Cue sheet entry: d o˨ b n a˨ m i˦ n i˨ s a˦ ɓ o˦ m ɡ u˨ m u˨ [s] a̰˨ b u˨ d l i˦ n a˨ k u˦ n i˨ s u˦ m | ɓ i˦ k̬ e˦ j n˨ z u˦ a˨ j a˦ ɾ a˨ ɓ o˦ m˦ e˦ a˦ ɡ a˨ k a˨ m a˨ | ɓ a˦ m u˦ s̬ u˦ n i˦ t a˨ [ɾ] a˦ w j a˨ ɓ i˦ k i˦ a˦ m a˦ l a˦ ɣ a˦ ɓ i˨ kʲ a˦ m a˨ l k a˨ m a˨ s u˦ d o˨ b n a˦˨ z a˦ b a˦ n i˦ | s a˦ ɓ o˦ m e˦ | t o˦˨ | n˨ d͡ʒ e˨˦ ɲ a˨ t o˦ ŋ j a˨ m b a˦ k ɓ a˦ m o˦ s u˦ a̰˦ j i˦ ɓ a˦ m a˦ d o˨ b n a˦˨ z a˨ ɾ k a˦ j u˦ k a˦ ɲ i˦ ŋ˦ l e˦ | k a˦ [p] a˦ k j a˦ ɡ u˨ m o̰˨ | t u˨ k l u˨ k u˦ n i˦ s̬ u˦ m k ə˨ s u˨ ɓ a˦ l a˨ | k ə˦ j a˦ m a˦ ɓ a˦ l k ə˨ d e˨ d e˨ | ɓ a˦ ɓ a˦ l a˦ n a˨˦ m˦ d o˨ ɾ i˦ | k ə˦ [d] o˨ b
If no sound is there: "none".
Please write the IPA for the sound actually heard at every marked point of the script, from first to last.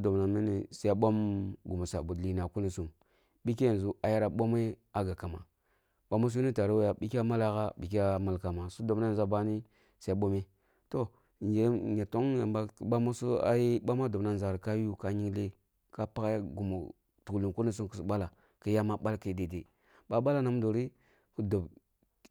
s, ɾ, p, d

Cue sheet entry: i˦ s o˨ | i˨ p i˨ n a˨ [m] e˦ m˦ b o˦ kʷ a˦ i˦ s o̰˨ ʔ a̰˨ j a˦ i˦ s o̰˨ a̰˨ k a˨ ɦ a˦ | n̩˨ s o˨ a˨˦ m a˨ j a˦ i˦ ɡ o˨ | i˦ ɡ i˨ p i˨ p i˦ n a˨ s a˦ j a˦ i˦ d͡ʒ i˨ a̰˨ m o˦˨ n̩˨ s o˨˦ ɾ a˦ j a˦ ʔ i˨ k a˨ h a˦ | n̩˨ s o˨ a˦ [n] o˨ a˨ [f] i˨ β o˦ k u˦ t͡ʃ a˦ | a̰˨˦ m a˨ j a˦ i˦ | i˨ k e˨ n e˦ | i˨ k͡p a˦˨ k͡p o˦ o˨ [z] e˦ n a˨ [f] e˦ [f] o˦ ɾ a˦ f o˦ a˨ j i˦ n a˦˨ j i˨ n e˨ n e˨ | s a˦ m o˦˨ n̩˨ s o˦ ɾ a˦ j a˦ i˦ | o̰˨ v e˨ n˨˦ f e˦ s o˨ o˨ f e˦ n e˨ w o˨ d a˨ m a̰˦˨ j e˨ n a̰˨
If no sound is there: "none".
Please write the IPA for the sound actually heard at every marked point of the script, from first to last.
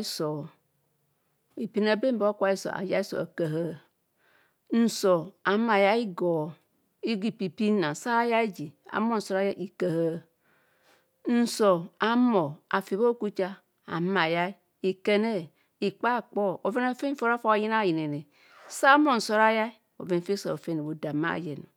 b, m, f, v, f, f

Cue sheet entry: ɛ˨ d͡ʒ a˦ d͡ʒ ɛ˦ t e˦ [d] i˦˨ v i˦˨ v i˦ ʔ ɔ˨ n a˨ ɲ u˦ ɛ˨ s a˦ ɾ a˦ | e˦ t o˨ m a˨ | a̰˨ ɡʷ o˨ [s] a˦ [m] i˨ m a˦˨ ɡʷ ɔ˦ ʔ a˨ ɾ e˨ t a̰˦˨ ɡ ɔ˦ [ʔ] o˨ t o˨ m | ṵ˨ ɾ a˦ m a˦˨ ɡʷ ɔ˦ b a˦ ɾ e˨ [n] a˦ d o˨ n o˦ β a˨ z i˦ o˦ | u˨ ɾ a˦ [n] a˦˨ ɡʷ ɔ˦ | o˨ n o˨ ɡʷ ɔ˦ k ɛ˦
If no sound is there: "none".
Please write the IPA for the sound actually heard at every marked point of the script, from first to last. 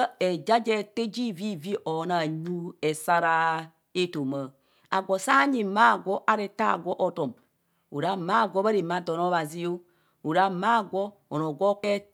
d͡ʒ, s, ɲ, ʔ, m, m

